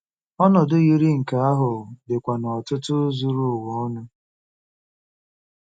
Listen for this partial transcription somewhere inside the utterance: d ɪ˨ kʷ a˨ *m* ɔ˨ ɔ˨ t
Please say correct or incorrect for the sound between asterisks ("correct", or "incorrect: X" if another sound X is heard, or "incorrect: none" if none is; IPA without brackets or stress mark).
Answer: incorrect: n